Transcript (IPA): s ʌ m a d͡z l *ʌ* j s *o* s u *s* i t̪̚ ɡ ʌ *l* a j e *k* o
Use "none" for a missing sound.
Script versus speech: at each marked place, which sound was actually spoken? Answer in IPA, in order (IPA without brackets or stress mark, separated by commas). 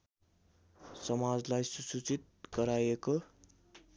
a, u, t͡s, ɾ, k